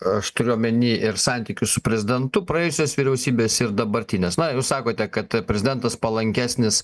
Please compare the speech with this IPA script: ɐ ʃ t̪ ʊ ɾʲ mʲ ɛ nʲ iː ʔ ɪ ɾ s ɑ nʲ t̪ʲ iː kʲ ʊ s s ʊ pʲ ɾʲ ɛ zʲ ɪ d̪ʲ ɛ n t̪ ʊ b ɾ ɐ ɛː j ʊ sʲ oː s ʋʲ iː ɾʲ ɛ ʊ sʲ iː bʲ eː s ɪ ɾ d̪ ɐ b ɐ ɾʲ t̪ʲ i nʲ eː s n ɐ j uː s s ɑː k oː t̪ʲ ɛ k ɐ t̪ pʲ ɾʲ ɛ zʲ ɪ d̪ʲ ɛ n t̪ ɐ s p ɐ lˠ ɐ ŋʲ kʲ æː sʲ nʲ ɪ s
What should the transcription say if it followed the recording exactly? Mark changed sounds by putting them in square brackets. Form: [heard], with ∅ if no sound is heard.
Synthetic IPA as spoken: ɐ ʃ t̪ ʊ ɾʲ mʲ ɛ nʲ iː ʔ ɪ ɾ s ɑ nʲ t̪ʲ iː kʲ ʊ s s ʊ pʲ ɾʲ ɛ zʲ ɪ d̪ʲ ɛ n t̪ ʊ [p] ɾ ɐ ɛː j ʊ sʲ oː s ʋʲ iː ɾʲ ɛ ʊ sʲ iː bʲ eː s ɪ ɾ d̪ ɐ b ɐ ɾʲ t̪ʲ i nʲ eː s n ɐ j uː s s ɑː k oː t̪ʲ ɛ k ɐ t̪ pʲ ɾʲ ɛ zʲ ɪ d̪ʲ ɛ n t̪ ɐ s p ɐ lˠ ɐ ŋʲ kʲ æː sʲ nʲ ɪ s